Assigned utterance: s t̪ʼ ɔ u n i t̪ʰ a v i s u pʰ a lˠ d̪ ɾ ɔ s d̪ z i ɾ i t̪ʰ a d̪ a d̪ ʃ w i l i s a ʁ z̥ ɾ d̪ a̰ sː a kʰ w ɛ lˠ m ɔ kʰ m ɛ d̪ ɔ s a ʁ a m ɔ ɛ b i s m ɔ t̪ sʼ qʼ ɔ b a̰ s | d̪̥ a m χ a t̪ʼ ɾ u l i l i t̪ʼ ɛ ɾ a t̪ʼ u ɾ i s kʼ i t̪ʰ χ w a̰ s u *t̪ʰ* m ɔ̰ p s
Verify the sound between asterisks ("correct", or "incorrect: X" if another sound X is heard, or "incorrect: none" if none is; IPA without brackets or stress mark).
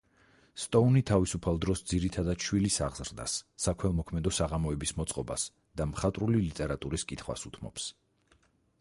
correct